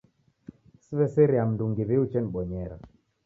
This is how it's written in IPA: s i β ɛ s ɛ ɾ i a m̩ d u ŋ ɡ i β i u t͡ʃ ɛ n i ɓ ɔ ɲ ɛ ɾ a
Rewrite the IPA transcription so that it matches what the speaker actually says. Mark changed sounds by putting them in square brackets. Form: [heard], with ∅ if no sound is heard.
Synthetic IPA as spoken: s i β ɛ s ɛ ɾ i a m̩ d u ŋ ɡ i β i u t͡ʃ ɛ n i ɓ ɔ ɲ ɛ ɾ a